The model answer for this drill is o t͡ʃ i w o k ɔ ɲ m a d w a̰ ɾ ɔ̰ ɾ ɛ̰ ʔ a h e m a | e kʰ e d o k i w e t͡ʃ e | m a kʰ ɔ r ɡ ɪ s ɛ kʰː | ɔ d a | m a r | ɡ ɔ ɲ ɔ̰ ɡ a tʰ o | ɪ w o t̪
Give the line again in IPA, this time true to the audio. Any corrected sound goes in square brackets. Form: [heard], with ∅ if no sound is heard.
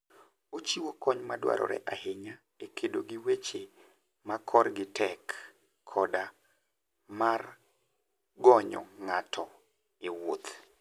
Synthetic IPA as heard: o t͡ʃ i w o k ɔ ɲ m a d w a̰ ɾ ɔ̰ ɾ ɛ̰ ʔ a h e [ɲ] a | e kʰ e d o [ɡ] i w e t͡ʃ e | m a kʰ ɔ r ɡ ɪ [t] ɛ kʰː | ɔ d a | m a r | ɡ ɔ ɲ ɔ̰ [ŋ] a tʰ [ɔ] | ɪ w o t̪

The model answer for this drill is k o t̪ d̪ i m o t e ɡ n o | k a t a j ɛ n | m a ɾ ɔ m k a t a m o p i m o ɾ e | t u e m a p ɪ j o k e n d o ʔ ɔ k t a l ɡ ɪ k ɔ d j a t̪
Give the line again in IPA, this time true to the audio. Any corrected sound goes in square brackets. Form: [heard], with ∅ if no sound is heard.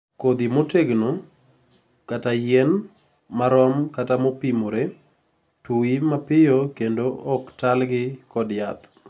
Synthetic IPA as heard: k o [∅] d̪ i m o t e ɡ n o | k a t a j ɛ n | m a ɾ ɔ m k a t a m o p i m o ɾ e | t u [i] m a p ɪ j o k e n d o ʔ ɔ k t a l ɡ ɪ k ɔ d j a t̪

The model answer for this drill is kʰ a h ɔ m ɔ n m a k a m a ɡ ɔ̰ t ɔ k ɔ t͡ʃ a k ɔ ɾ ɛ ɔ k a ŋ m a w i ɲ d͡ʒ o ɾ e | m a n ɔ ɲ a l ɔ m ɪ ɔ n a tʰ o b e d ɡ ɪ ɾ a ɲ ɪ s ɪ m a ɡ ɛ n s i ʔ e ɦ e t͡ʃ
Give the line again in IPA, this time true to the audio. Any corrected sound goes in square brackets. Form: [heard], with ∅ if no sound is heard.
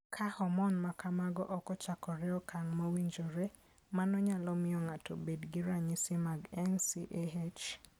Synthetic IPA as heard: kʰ a h ɔ m ɔ n m a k a m a ɡ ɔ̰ [ʔ] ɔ k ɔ t͡ʃ a k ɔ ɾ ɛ ɔ k a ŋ m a w i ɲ d͡ʒ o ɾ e | m a n ɔ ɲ a l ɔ m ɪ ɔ [ŋ] a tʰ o b e d ɡ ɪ ɾ a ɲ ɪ s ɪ m a ɡ ɛ n s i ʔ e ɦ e t͡ʃ

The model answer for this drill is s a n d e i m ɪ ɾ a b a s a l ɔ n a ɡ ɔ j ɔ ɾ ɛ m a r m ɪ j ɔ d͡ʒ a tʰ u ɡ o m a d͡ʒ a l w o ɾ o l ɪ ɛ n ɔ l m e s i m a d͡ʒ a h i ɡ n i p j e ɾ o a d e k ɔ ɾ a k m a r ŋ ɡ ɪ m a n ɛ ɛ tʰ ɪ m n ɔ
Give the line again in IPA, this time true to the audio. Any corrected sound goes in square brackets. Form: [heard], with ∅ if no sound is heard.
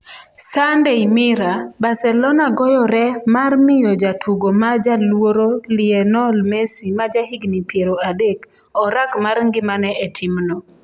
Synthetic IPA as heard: s a n d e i m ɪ ɾ a b a s [ɛ] l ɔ n a ɡ ɔ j ɔ ɾ ɛ m a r m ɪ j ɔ d͡ʒ a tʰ u ɡ o m a d͡ʒ a l w o ɾ o l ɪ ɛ n ɔ l m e s i m a d͡ʒ a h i ɡ n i p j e ɾ o a d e k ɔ ɾ a k m a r ŋ ɡ ɪ m a n ɛ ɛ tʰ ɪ m n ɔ

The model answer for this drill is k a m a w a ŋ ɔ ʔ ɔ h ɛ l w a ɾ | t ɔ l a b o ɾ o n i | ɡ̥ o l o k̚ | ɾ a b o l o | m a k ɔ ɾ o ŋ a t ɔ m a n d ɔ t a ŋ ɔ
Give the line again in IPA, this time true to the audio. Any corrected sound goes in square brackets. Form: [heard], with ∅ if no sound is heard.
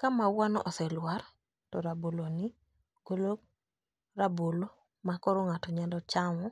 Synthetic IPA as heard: k a m a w a [n] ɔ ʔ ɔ [s] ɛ l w a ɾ | t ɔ [ɾ] a b o [l] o n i | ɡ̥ o l o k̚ | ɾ a b o l o | m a k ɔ ɾ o ŋ a t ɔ [ɲ] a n d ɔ [t͡ʃ] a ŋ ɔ

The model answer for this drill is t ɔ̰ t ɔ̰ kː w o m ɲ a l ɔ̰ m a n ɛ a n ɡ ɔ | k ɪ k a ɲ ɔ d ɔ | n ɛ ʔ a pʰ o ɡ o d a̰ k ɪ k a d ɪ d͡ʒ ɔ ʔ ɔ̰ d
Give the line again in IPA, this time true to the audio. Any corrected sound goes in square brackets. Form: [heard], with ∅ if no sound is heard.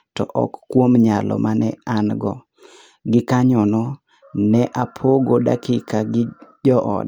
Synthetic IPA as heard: t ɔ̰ [ʔ] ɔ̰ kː w o m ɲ a l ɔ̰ m a n ɛ a n ɡ ɔ | [ɡ] ɪ k a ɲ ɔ [n] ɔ | n ɛ ʔ a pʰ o ɡ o d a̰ k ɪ k a [ɡ] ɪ d͡ʒ ɔ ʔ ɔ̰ d

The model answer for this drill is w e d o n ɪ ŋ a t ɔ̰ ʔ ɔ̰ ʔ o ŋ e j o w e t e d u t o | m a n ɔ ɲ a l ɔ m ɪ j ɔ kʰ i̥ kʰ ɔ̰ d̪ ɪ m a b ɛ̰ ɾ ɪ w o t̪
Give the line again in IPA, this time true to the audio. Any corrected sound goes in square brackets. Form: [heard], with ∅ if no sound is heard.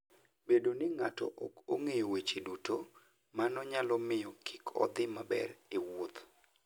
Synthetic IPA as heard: [b] e d o n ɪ ŋ a t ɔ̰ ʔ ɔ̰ [k] o ŋ e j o w e [t͡ʃ] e d u t o | m a n ɔ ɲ a l ɔ m ɪ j ɔ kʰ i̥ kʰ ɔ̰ d̪ ɪ m a b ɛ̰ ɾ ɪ w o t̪

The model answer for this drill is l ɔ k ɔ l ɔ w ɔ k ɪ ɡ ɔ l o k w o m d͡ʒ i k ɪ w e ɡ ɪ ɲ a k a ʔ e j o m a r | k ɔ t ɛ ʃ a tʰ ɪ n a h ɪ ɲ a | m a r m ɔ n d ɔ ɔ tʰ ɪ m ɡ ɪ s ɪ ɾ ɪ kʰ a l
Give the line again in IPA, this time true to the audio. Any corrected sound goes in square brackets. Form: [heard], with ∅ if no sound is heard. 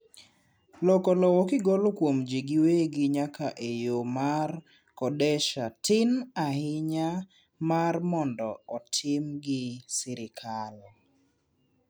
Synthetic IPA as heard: l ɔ k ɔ l ɔ w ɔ k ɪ ɡ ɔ l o k w o m d͡ʒ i [ɡ] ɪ w e ɡ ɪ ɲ a k a ʔ e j o m a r | k ɔ [d] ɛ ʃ a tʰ ɪ n a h ɪ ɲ a | m a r m ɔ n d ɔ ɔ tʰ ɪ m ɡ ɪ s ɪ ɾ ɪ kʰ a l

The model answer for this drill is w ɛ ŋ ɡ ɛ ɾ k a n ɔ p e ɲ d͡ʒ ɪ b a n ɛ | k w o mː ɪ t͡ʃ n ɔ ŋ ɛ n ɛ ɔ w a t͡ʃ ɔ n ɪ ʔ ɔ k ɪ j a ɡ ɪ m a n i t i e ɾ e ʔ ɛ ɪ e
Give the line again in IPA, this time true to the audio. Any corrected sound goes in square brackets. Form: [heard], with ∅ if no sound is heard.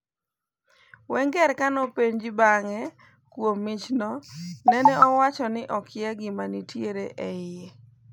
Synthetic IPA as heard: w ɛ ŋ ɡ ɛ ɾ k a n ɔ p e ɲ d͡ʒ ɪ b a [ŋ] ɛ | k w o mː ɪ t͡ʃ n ɔ [n] ɛ n ɛ ɔ w a t͡ʃ ɔ n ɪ ʔ ɔ k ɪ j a ɡ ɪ m a n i t [j] e ɾ e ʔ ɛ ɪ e

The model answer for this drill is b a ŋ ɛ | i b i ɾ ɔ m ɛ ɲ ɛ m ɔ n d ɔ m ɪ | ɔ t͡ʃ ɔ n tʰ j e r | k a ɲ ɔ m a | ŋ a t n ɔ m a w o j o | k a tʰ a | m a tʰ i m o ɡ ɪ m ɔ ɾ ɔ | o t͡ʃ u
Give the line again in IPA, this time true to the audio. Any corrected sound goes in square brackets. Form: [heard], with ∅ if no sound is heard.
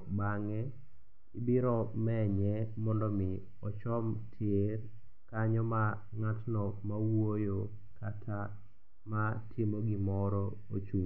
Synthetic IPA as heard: b a ŋ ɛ | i b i ɾ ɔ m ɛ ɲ ɛ m ɔ n d ɔ m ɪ | ɔ t͡ʃ ɔ [m] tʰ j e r | k a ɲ ɔ m a | ŋ a t n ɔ m a w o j o | k a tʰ a | m a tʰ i m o ɡ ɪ m ɔ ɾ ɔ | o t͡ʃ u

